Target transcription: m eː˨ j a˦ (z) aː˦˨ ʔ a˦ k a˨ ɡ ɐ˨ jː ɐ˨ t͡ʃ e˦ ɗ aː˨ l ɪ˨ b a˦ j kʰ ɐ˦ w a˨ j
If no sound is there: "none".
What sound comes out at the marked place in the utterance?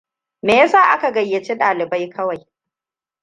s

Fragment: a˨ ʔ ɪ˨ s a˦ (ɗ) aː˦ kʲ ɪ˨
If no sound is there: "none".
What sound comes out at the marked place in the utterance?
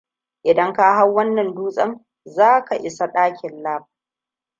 ɗ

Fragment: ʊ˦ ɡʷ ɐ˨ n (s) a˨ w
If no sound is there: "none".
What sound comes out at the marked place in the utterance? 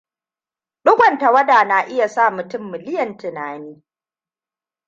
t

